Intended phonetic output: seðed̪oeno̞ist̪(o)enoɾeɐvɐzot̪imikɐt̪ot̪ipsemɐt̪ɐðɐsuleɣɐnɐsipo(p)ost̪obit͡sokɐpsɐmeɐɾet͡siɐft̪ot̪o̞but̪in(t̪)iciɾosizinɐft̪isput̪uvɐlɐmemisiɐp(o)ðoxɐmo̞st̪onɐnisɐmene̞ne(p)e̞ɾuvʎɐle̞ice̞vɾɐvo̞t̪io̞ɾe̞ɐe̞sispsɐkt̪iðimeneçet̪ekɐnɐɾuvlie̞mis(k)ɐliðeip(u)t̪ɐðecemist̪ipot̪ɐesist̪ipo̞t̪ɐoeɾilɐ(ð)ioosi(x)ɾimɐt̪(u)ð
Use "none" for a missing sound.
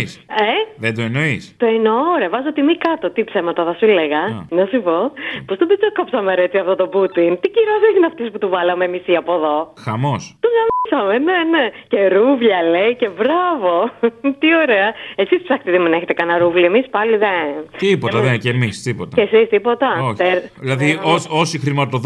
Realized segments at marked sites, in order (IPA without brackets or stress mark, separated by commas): o, p, t̪, o, c, p, o, ð, x, o